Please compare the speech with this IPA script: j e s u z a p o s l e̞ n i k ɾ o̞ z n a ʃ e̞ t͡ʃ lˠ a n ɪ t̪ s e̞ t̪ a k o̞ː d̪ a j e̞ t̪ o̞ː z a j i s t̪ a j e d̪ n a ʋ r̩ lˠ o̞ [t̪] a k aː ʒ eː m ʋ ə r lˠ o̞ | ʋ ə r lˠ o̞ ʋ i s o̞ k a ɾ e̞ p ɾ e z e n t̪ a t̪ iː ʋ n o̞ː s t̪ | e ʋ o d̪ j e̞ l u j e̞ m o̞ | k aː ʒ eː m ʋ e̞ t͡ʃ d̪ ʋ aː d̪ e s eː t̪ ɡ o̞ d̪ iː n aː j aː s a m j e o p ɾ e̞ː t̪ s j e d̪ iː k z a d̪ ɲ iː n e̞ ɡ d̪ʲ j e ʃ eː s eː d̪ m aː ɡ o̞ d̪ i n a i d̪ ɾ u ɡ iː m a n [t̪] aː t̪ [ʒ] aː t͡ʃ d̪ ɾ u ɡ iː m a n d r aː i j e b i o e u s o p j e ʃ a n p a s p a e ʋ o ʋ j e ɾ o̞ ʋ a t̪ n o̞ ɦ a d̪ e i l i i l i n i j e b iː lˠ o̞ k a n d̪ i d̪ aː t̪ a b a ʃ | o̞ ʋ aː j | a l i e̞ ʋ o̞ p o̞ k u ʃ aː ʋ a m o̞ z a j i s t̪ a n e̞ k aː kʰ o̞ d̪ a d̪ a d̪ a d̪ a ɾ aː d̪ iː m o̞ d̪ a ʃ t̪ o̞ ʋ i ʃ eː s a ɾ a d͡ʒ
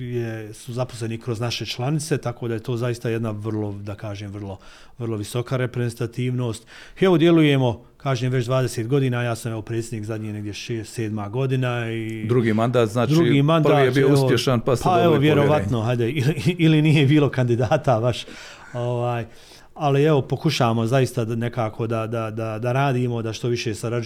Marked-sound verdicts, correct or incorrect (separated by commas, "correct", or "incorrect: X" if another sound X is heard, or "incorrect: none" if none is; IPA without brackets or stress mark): incorrect: d̪, incorrect: d̪, incorrect: z